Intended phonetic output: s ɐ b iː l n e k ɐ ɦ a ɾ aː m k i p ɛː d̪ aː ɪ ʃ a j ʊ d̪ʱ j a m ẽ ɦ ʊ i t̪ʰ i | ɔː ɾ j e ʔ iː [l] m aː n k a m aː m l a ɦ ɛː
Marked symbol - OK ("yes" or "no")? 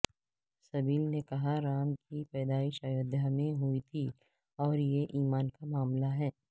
no